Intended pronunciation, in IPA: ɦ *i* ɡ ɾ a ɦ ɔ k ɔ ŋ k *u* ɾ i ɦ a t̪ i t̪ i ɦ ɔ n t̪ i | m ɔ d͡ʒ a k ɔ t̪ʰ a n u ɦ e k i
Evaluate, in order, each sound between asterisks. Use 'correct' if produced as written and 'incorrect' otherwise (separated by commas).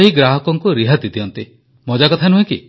correct, correct